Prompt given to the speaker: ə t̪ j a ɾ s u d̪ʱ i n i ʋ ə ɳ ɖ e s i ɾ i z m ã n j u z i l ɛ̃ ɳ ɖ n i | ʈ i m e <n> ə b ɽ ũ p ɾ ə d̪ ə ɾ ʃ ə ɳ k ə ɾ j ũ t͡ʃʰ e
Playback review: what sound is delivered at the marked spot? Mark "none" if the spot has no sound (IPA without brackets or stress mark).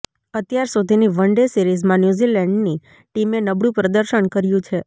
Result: n